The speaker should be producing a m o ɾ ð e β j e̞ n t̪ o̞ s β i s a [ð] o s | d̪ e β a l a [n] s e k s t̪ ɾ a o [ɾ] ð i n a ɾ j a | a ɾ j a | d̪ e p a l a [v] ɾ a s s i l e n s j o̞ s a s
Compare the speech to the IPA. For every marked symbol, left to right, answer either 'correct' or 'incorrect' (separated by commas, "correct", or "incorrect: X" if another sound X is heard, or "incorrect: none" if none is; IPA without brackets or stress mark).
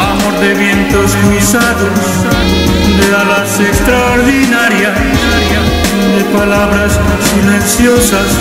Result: correct, correct, correct, incorrect: β